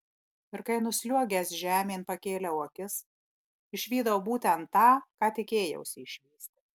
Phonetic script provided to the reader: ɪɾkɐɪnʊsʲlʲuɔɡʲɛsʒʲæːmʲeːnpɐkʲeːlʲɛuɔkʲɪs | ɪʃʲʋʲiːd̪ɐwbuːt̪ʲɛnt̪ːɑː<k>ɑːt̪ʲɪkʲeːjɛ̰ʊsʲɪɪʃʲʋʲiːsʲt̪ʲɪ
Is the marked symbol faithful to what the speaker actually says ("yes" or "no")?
yes